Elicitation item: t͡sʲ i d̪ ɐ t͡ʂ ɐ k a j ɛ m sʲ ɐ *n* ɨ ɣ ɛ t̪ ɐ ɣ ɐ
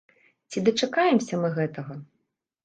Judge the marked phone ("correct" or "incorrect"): incorrect